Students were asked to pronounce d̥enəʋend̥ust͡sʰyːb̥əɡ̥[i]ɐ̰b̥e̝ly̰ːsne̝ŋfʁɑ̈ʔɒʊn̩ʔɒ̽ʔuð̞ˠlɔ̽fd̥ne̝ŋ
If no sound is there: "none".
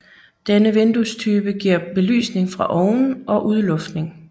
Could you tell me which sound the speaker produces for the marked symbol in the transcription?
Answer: i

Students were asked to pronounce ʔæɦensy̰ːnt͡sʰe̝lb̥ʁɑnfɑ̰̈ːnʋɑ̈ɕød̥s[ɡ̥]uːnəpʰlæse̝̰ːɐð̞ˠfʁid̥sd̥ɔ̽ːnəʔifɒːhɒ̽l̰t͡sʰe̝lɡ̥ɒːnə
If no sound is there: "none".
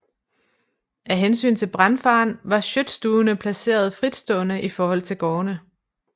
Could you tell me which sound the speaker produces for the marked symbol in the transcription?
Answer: d̥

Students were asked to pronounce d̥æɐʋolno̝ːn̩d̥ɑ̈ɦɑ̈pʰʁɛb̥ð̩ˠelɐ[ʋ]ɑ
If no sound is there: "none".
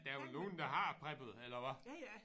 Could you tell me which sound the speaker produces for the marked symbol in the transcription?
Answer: ʋ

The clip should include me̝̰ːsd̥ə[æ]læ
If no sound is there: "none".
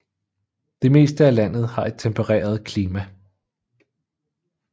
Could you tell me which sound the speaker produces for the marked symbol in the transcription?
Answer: æ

